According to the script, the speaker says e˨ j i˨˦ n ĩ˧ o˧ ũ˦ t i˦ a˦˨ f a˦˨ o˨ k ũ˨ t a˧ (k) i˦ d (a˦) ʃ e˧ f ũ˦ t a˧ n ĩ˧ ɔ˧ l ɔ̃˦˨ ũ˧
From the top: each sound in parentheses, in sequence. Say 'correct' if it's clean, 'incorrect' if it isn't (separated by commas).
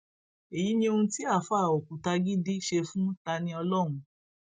incorrect, incorrect